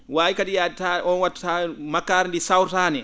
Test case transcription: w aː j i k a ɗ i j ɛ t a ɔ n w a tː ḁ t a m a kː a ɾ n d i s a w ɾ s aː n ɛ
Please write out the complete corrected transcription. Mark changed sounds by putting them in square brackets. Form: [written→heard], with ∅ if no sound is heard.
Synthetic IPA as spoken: w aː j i k a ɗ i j [ɛ→a] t a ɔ n w a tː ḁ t a m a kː a ɾ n d i s a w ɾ [s→t] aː n ɛ